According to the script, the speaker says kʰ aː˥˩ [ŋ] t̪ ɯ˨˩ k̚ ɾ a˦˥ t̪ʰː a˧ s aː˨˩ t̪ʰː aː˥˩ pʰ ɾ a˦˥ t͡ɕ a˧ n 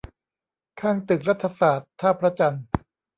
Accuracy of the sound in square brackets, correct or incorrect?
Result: correct